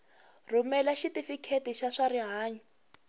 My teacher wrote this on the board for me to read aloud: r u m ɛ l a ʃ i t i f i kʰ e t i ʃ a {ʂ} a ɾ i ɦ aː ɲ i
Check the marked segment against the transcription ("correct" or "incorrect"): correct